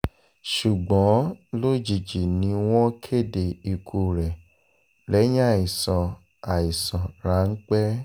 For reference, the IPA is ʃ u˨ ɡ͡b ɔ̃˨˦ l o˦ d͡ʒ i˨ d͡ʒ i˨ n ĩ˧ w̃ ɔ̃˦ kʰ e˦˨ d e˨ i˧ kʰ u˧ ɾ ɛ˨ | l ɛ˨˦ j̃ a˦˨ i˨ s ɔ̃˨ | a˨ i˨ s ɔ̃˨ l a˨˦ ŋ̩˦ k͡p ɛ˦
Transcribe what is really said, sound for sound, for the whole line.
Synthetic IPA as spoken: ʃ u˨ ɡ͡b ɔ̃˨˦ l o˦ d͡ʒ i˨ d͡ʒ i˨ n ĩ˧ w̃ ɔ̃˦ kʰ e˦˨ d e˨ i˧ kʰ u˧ ɾ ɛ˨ | l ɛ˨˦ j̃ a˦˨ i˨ s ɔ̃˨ | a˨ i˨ s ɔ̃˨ ɾ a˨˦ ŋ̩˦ k͡p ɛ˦